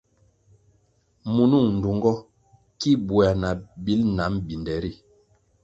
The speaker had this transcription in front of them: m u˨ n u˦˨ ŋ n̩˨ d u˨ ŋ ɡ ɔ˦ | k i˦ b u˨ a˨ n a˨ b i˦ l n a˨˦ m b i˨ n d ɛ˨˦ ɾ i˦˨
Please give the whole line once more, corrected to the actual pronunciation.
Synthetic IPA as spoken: m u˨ n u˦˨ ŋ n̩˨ d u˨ ŋ ɡ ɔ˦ | k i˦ b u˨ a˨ n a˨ b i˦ l n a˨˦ m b i˨ n d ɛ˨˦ ɾ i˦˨